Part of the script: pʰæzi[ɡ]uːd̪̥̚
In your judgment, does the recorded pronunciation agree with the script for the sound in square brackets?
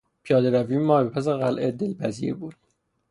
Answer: no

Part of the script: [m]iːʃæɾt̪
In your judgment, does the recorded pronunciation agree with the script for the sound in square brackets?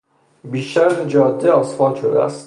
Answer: no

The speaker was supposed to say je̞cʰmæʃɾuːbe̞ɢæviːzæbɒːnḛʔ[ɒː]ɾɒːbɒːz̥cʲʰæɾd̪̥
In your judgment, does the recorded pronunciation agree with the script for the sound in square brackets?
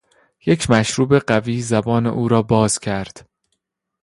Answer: no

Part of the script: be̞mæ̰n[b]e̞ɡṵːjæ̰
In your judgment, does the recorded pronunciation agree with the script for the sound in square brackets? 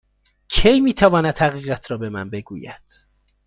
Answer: yes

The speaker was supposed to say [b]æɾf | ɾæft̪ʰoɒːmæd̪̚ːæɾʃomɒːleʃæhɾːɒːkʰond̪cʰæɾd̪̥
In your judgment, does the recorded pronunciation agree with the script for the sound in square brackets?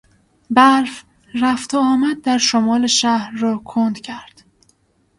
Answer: yes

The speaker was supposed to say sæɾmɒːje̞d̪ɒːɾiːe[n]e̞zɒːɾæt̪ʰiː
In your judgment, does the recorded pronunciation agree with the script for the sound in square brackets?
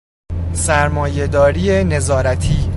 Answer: yes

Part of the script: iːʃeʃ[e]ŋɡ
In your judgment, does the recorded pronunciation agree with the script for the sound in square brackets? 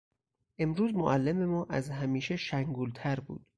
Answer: no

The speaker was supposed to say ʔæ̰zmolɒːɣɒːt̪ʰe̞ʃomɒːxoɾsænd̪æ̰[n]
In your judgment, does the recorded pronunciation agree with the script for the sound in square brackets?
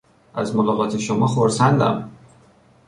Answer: no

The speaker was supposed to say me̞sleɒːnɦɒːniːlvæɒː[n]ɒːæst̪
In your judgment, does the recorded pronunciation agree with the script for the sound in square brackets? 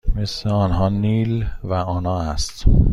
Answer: yes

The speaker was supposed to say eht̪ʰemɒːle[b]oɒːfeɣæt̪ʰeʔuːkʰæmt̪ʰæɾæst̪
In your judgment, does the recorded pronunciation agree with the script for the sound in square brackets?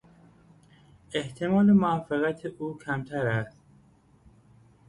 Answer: no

